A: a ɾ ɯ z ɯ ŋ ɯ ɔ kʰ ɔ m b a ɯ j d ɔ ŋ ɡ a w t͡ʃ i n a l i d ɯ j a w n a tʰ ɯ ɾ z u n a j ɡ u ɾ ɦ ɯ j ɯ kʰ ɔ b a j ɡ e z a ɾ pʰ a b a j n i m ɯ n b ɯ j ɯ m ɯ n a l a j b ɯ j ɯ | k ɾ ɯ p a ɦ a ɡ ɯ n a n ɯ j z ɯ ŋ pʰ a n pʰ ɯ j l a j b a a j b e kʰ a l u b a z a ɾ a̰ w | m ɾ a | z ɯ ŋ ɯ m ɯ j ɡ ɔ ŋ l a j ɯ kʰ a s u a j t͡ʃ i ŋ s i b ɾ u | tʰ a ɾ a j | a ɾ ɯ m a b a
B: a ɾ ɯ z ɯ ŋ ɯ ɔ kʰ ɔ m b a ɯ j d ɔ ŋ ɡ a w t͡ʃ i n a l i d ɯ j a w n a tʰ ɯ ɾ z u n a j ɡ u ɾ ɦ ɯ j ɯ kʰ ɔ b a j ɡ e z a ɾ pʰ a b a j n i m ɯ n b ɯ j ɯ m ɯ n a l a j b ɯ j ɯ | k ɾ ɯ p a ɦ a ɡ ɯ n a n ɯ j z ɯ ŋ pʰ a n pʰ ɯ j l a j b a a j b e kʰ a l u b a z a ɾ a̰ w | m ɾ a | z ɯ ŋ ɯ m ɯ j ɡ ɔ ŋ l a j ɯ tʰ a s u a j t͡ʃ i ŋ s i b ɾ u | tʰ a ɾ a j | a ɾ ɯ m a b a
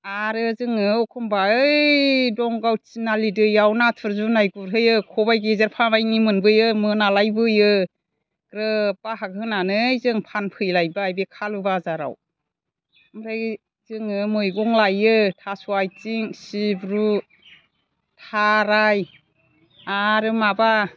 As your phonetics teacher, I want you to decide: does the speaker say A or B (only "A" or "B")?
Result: B